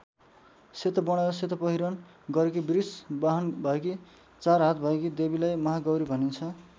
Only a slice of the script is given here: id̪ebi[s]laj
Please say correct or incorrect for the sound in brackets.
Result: incorrect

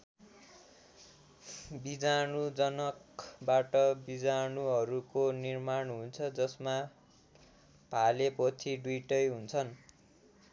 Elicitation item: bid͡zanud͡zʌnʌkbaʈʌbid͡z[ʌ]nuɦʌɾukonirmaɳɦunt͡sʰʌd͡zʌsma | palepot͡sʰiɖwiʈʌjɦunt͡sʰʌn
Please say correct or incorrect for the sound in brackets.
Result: incorrect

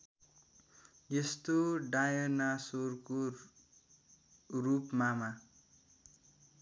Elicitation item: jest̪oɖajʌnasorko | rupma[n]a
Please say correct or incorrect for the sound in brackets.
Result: incorrect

